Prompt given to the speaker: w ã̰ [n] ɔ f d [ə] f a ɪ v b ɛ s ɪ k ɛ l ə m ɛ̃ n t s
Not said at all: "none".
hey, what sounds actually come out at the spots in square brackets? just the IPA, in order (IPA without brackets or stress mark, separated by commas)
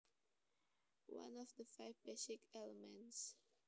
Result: n, ə